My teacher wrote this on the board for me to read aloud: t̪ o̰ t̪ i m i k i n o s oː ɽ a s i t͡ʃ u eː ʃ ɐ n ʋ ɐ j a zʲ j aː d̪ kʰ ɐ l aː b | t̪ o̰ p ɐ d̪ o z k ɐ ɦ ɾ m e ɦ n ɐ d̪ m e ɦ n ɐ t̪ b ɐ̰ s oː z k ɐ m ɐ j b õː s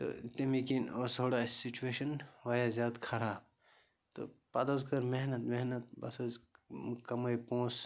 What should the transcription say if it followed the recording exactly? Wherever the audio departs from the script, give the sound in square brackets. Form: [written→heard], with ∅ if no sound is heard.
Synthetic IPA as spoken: t̪ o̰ t̪ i m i k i n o s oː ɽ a s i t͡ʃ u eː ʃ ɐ n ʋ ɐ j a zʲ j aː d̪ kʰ ɐ [l→ɾ] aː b | t̪ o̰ p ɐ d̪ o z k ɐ [ɦ→∅] ɾ m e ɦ n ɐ [d̪→t̪] m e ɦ n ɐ t̪ b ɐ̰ s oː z k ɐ m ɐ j [b→p] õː s